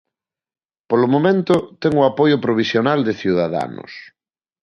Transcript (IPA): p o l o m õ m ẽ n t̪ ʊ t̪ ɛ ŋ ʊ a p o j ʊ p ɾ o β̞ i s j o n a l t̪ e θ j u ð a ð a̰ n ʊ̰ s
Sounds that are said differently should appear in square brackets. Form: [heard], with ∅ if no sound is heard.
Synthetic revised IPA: p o l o m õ m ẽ n t̪ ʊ t̪ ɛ ŋ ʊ a p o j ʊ p ɾ o β̞ i s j o n a l [d̪] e θ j u ð a ð a̰ n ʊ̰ s